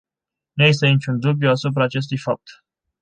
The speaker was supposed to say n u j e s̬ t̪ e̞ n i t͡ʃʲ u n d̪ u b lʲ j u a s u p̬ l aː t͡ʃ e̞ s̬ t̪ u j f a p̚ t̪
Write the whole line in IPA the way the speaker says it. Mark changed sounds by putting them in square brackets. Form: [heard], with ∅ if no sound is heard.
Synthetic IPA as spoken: n u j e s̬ t̪ e̞ n i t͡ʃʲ u n d̪ u b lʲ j u a s u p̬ [ɾ] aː t͡ʃ e̞ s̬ t̪ u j f a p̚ t̪

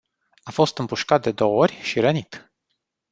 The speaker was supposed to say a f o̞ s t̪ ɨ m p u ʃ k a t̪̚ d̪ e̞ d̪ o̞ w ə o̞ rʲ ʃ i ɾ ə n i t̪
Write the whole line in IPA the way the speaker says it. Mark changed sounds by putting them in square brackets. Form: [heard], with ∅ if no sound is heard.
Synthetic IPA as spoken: a f o̞ s t̪ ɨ m p u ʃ k a t̪̚ d̪ e̞ d̪ o̞ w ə o̞ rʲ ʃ i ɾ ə n i t̪

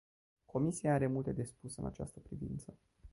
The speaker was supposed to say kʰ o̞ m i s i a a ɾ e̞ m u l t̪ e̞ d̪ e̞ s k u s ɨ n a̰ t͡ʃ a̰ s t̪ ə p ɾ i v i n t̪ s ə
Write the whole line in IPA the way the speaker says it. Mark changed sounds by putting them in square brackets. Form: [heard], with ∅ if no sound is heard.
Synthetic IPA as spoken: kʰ o̞ m i s i a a ɾ e̞ m u l t̪ e̞ d̪ e̞ s [p] u s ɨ n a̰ t͡ʃ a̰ s t̪ ə p ɾ i v i n t̪ s ə

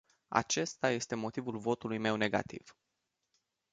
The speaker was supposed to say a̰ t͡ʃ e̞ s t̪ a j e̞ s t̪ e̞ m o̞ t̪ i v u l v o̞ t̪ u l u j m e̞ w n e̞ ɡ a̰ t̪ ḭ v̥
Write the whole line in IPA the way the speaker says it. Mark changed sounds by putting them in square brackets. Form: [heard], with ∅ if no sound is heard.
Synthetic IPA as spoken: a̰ t͡ʃ e̞ s t̪ a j e̞ s t̪ e̞ m o̞ t̪ i v u l v o̞ t̪ u l u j m e̞ w n e̞ ɡ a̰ t̪ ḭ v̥

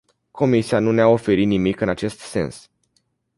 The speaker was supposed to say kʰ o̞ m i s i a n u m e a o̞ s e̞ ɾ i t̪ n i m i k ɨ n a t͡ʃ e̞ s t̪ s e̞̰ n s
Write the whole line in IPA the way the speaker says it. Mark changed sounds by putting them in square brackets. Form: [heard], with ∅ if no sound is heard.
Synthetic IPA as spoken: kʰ o̞ m i s i a n u [n] e a o̞ [f] e̞ ɾ i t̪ n i m i k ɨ n a t͡ʃ e̞ s t̪ s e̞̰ n s

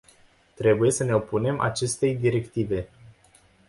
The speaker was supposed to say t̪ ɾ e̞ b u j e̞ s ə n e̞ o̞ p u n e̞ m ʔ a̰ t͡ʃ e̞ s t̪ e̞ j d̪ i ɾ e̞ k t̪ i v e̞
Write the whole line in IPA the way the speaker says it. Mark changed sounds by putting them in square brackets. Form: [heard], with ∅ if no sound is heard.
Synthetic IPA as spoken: t̪ ɾ e̞ b u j e̞ s ə n e̞ o̞ p u n e̞ m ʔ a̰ t͡ʃ e̞ s t̪ e̞ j d̪ i ɾ e̞ k t̪ i v e̞

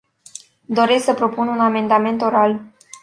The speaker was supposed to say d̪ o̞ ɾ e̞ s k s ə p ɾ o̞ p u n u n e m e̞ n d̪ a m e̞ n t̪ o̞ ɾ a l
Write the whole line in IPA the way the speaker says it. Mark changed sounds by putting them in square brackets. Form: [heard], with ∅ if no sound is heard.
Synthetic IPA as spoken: d̪ o̞ ɾ e̞ s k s ə p ɾ o̞ p u n u n [a] m e̞ n d̪ a m e̞ n t̪ o̞ ɾ a l

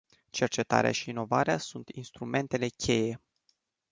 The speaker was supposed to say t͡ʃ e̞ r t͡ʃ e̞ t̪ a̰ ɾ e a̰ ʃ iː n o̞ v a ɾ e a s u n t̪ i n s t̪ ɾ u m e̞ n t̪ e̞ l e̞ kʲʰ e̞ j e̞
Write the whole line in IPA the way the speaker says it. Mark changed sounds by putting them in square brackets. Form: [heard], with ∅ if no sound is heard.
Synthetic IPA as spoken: t͡ʃ e̞ r t͡ʃ e̞ t̪ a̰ ɾ e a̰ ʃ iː n o̞ v a ɾ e a s u n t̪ i n s t̪ ɾ u m e̞ n t̪ e̞ l e̞ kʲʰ e̞ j e̞

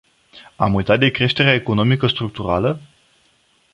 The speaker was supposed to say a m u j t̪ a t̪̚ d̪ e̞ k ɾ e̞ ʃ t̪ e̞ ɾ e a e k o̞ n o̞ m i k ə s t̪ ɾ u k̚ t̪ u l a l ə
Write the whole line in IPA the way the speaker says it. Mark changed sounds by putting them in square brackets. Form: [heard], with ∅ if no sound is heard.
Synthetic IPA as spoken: a m u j t̪ a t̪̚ d̪ e̞ k ɾ e̞ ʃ t̪ e̞ ɾ e a e k o̞ n o̞ m i k ə s t̪ ɾ u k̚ t̪ u [ɾ] a l ə

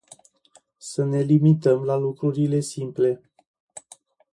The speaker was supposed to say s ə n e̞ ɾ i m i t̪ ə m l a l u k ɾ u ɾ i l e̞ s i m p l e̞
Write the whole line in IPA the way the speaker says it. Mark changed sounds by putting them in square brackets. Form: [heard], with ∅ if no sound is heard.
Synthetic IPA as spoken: s ə n e̞ [l] i m i t̪ ə m l a l u k ɾ u ɾ i l e̞ s i m p l e̞

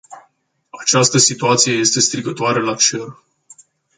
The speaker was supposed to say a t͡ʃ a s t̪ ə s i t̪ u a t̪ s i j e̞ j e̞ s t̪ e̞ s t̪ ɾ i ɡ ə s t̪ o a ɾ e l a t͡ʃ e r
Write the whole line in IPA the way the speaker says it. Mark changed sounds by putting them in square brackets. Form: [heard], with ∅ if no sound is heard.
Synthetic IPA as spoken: a t͡ʃ a s t̪ ə s i t̪ u a t̪ s i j e̞ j e̞ s t̪ e̞ s t̪ ɾ i ɡ ə [∅] t̪ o a ɾ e l a t͡ʃ e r

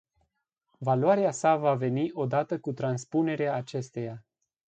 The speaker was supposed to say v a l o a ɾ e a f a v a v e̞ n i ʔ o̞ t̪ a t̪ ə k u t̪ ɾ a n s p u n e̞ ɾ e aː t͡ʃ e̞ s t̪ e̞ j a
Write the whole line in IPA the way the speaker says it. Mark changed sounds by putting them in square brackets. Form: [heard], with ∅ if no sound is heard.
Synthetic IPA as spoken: v a l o a ɾ e a [s] a v a v e̞ n i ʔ o̞ [d̪] a t̪ ə k u t̪ ɾ a n s p u n e̞ ɾ e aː t͡ʃ e̞ s t̪ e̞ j a

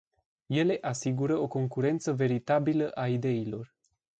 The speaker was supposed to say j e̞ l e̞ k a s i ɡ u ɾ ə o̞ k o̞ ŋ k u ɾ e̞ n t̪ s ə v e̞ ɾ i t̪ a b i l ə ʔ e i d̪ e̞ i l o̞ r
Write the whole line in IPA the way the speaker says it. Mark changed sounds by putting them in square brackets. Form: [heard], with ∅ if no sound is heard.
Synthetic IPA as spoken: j e̞ l e̞ [ʔ] a s i ɡ u ɾ ə o̞ k o̞ ŋ k u ɾ e̞ n t̪ s ə v e̞ ɾ i t̪ a b i l ə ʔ [a] i d̪ e̞ i l o̞ r

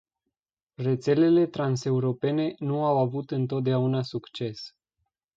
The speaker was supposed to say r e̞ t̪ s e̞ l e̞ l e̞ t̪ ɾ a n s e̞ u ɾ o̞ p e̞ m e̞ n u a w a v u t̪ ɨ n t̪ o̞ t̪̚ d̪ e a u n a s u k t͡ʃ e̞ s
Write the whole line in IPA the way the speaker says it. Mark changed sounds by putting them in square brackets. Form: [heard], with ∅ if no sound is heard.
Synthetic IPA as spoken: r e̞ t̪ s e̞ l e̞ l e̞ t̪ ɾ a n s e̞ u ɾ o̞ p e̞ [n] e̞ n u a w a v u t̪ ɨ n t̪ o̞ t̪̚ d̪ e a u n a s u k t͡ʃ e̞ s

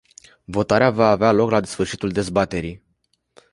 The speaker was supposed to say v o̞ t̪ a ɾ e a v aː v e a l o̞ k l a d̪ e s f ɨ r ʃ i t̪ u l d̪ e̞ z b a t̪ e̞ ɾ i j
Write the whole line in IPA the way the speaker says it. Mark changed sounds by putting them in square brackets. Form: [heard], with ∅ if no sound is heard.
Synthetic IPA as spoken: v o̞ t̪ a ɾ e a v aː v e a l o̞ k l a d̪ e s f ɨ r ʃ i t̪ u l d̪ e̞ z b a t̪ e̞ ɾ i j

